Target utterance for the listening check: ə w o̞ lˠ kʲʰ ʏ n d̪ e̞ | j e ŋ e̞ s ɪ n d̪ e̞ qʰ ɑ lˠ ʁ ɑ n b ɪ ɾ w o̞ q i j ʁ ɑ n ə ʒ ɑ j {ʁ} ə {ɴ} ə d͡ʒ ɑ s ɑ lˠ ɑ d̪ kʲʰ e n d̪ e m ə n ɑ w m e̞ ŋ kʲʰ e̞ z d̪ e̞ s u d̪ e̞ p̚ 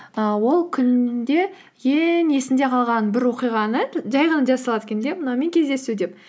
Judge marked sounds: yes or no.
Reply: yes, no

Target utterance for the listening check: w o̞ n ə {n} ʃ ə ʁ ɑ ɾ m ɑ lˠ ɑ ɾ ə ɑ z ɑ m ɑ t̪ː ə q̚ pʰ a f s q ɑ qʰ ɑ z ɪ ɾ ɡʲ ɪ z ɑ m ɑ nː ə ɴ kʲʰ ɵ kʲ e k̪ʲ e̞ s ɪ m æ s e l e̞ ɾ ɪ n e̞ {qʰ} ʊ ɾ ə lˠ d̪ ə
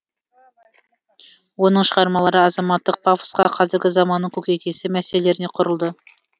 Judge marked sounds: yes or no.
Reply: no, yes

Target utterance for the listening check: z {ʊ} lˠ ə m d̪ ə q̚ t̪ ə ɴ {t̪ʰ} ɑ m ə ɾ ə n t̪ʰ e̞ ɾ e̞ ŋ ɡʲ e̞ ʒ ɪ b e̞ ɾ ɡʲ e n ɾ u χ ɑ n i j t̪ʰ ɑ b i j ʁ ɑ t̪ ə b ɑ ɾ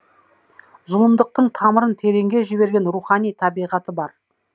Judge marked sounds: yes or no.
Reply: yes, yes

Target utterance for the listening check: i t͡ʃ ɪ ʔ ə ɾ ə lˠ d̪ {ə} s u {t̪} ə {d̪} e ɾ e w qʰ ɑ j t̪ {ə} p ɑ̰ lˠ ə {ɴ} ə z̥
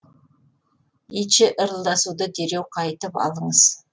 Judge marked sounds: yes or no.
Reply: no, no, yes, yes, yes

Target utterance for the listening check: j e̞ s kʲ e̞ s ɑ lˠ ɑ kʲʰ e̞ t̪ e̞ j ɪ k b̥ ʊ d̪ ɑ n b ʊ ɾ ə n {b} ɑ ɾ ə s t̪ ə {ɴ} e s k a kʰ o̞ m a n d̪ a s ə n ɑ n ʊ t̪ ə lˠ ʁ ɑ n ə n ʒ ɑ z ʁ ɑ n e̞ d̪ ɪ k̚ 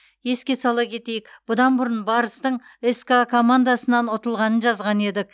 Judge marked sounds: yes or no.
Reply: yes, yes

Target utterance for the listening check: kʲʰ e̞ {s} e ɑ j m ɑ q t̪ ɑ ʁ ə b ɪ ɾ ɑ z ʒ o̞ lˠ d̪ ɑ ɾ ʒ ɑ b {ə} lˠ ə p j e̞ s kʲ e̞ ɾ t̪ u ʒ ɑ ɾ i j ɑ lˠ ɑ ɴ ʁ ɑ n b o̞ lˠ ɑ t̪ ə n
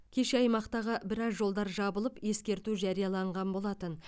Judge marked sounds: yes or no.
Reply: no, yes

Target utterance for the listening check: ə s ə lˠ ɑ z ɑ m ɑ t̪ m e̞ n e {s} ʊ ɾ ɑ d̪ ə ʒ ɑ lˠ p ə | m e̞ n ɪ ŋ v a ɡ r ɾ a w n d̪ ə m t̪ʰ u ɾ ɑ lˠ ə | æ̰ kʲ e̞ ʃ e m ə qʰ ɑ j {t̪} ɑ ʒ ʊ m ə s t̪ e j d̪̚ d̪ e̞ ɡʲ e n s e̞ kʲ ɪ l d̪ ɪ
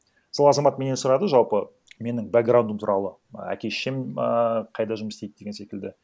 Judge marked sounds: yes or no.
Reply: yes, no

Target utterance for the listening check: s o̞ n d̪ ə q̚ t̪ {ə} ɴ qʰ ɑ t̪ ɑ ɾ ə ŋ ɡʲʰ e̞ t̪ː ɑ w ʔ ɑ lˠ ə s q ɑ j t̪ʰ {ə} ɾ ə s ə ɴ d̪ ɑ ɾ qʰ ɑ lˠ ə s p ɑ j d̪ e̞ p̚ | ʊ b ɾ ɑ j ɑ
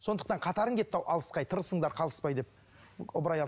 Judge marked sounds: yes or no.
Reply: no, yes

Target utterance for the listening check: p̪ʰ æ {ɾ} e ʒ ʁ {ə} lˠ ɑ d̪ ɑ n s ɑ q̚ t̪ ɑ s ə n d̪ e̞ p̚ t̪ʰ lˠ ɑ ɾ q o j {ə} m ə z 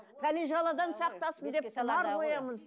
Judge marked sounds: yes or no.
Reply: no, no, no

